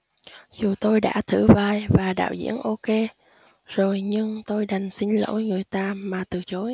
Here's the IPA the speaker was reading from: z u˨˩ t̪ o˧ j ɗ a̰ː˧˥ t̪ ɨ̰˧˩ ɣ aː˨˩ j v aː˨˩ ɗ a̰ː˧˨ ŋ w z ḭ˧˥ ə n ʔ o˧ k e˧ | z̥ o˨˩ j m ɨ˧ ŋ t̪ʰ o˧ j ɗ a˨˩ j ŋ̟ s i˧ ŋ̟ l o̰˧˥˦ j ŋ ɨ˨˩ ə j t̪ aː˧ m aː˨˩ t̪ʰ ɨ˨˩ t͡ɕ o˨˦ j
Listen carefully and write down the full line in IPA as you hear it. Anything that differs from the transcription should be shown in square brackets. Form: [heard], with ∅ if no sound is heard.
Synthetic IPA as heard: z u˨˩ t̪ o˧ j ɗ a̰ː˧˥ [t̪ʰ] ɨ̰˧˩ [v] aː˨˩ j v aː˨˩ ɗ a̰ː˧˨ [∅] w z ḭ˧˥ ə n ʔ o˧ k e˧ | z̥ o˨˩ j [ɲ] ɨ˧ ŋ [t̪] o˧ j ɗ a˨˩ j ŋ̟ s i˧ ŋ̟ l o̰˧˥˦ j ŋ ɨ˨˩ ə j t̪ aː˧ m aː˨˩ [t̪] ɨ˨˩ t͡ɕ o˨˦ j